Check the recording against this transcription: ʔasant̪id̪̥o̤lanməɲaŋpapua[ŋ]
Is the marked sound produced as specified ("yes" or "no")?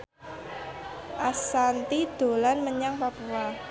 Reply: no